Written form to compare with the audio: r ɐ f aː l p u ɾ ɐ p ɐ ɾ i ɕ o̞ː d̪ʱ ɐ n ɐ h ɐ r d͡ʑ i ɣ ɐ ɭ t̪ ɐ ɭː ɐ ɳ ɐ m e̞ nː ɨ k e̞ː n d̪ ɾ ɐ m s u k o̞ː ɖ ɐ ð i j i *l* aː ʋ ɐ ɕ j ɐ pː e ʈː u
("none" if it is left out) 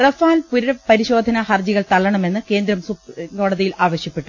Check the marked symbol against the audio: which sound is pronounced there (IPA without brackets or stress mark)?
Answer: l